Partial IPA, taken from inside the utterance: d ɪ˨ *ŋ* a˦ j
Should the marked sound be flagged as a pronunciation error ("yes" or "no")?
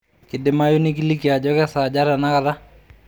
yes